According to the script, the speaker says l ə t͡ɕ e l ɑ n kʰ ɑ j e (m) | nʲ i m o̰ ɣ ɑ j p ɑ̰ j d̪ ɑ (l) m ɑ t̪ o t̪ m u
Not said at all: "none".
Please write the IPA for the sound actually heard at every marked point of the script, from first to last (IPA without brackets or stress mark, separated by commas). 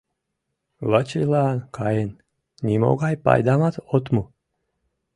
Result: n, none